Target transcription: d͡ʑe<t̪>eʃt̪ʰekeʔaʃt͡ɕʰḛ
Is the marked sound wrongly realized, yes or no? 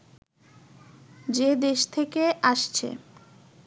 yes